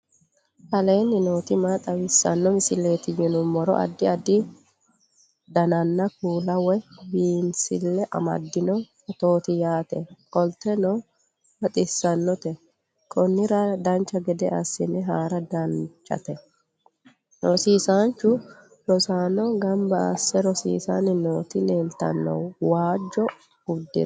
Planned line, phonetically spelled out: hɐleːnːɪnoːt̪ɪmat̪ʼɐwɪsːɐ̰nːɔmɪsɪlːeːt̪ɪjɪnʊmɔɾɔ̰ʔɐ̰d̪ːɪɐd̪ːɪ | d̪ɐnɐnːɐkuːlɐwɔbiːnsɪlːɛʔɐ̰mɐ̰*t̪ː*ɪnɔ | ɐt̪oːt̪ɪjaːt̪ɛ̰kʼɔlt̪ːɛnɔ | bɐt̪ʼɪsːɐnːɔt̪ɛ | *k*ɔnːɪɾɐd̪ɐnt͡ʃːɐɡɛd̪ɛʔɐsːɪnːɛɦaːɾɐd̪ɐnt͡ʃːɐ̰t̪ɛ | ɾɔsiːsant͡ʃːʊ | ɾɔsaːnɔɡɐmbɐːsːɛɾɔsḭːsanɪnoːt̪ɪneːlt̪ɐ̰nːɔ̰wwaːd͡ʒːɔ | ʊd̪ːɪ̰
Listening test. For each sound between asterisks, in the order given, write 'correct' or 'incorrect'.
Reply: incorrect, incorrect

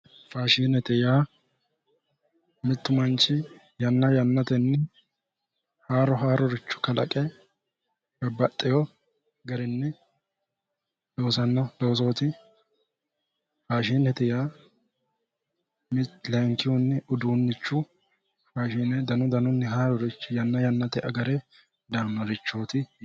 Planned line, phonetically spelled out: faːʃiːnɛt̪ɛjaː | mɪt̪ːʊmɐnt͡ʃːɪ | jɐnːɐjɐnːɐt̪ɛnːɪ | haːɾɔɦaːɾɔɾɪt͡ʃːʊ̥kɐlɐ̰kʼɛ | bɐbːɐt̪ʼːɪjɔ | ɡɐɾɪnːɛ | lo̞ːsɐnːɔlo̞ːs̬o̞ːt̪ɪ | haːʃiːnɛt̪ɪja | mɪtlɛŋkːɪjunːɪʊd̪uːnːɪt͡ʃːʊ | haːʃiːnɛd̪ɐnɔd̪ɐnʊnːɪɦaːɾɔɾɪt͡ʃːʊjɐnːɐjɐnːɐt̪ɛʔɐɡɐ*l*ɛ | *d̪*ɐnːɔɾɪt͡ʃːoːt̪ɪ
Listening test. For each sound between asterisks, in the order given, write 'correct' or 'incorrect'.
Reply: incorrect, correct

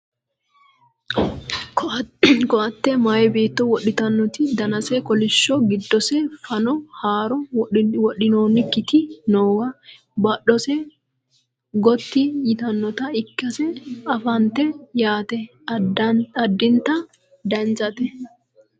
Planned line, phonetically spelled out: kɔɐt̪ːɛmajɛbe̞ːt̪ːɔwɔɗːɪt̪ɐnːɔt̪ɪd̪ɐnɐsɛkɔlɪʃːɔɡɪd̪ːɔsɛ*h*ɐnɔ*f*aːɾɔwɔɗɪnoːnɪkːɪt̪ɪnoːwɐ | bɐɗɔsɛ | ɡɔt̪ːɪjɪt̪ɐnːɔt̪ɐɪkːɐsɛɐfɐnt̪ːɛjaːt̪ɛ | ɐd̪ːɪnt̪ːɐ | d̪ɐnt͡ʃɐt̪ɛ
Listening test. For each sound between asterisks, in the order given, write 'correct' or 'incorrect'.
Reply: incorrect, incorrect

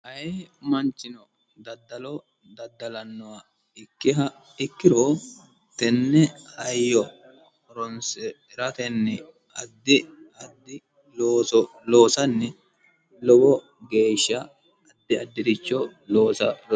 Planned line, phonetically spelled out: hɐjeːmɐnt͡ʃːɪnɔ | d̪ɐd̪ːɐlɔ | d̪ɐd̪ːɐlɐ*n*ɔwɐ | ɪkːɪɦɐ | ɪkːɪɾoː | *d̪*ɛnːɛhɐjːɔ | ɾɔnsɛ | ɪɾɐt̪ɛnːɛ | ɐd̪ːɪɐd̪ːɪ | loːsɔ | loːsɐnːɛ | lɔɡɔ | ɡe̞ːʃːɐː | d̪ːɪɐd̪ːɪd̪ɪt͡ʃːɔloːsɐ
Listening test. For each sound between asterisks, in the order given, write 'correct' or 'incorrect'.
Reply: incorrect, incorrect

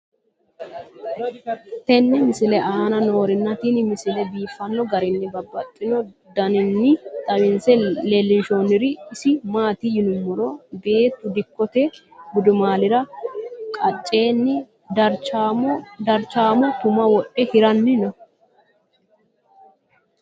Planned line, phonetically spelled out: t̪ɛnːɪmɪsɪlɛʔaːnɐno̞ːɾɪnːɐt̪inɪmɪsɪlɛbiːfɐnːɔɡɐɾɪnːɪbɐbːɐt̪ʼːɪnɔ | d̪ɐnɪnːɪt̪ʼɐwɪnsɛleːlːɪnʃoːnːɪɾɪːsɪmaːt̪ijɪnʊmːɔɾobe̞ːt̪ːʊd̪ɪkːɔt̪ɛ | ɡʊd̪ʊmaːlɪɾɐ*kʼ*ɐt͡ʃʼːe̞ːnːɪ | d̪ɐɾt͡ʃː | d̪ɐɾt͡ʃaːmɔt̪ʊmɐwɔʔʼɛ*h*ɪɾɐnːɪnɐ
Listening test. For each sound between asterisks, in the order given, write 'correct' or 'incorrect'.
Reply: correct, correct

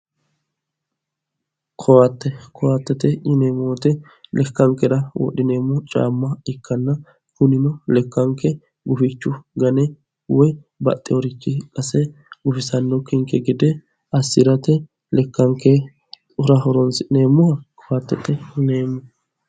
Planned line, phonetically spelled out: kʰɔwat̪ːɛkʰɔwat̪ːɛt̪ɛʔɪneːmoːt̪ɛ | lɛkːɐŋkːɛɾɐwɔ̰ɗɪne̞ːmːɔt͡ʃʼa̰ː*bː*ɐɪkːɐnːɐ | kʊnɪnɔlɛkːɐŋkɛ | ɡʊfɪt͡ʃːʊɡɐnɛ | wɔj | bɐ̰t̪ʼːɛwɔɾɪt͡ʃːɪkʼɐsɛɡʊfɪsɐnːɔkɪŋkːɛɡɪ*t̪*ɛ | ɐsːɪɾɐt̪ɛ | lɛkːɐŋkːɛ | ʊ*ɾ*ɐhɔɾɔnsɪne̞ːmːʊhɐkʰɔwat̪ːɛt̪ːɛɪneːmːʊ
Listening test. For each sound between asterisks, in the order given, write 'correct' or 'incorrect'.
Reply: incorrect, incorrect, correct

